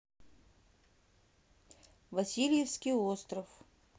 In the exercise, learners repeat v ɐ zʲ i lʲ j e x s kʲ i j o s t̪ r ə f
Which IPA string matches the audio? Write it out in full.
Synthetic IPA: v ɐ sʲ i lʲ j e f s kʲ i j o s t̪ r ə f